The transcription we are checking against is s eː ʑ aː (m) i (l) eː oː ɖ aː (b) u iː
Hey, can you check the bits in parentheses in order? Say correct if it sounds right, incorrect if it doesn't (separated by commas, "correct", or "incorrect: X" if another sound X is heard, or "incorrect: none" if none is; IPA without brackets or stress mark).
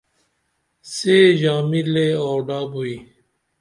correct, correct, correct